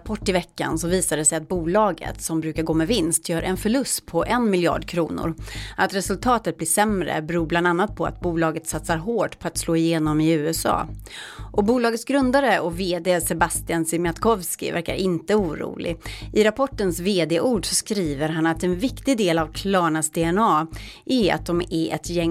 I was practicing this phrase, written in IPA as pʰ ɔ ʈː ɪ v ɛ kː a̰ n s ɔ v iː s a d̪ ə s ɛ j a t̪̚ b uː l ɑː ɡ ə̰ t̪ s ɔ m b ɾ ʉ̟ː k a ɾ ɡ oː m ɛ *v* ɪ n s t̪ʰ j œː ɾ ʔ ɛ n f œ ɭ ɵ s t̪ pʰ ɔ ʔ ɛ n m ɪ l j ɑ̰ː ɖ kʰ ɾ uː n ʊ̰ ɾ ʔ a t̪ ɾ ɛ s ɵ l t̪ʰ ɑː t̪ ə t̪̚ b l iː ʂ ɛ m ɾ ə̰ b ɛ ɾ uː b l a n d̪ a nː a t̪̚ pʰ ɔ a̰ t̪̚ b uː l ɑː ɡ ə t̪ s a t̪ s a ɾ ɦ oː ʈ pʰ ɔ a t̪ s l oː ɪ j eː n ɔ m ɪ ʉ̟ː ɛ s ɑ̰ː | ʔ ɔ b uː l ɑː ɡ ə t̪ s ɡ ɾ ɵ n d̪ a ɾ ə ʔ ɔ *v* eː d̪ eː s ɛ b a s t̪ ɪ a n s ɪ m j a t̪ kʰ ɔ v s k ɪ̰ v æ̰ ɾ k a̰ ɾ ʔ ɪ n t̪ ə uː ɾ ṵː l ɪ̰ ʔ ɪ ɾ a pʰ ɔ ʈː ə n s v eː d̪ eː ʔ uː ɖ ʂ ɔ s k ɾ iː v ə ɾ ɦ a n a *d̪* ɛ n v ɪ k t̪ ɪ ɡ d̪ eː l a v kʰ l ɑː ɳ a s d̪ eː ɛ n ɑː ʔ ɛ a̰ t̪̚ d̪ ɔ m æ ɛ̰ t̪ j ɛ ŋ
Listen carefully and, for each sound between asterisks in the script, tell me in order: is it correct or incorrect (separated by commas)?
correct, correct, incorrect